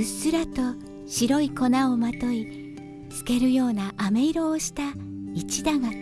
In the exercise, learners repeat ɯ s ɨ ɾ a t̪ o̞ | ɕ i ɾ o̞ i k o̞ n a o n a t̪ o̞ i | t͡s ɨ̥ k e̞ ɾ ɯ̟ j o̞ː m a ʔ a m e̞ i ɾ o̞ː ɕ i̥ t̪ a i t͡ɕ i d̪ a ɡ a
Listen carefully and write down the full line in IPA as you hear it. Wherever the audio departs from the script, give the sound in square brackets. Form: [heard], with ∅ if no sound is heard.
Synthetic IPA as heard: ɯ s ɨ ɾ a t̪ o̞ | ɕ i ɾ o̞ i k o̞ n a o [m] a t̪ o̞ i | t͡s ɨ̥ k e̞ ɾ ɯ̟ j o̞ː [n] a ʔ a m e̞ i ɾ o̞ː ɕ i̥ t̪ a i t͡ɕ i d̪ a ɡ a